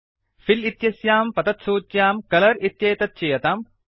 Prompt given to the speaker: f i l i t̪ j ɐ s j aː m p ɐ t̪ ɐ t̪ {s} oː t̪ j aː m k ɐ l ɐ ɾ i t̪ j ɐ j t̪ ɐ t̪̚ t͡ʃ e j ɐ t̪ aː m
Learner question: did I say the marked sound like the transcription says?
yes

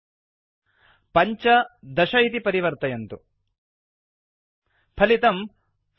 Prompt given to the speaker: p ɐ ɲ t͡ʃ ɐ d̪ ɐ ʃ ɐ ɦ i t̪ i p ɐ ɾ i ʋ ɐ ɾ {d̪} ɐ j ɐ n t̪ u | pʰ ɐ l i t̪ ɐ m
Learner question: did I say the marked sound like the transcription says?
no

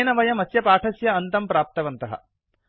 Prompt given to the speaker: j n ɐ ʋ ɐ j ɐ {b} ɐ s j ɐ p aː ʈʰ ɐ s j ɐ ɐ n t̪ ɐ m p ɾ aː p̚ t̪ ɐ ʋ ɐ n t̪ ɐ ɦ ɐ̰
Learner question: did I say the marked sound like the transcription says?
no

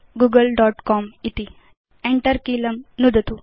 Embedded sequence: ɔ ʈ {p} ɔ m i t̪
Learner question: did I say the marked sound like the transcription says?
no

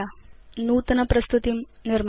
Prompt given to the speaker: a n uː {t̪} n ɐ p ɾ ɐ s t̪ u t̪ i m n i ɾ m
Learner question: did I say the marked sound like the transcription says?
yes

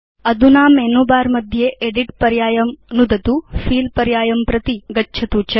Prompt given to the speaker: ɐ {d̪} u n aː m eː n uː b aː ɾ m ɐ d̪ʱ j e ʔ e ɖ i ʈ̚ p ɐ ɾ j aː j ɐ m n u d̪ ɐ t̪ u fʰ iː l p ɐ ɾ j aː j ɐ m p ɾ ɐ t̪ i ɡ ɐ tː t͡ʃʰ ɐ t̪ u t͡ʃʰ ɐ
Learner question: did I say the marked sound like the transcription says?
yes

